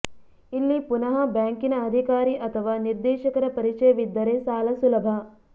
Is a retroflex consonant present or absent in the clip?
absent